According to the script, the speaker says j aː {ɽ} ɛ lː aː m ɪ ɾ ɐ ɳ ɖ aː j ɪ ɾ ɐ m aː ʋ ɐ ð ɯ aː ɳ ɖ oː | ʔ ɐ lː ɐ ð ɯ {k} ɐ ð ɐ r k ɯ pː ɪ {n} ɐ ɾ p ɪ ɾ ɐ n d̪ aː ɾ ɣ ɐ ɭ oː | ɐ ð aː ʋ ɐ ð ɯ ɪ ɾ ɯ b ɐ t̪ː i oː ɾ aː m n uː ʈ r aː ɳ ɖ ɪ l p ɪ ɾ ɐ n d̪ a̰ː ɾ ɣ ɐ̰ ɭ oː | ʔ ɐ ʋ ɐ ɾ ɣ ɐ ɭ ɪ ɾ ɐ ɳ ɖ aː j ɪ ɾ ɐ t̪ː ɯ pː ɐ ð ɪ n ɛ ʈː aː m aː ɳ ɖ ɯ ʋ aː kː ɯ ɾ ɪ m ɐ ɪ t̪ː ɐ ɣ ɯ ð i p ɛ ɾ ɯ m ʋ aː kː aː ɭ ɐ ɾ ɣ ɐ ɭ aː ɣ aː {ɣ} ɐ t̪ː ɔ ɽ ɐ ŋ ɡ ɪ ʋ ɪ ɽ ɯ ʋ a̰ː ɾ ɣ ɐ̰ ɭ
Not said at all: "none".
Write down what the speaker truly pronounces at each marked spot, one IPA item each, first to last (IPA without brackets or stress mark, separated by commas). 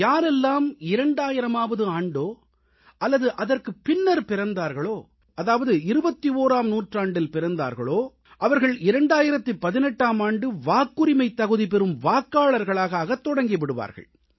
ɾ, ʔ, nː, ɣ